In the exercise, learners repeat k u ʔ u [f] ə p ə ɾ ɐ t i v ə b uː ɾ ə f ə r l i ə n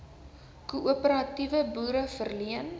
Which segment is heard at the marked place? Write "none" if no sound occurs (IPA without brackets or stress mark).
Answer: none